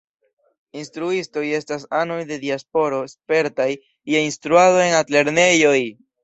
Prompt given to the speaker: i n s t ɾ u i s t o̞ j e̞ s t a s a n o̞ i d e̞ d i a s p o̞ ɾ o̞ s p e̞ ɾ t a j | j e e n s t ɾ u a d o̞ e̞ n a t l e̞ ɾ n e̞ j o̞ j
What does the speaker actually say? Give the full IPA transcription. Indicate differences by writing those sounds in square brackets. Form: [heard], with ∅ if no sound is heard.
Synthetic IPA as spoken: i n s t ɾ u i s t o̞ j e̞ s t a s a n o̞ [j] d e̞ d i a s p o̞ ɾ o̞ s p e̞ ɾ t a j | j e [i] n s t ɾ u a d o̞ e̞ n a t l e̞ ɾ n e̞ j o̞ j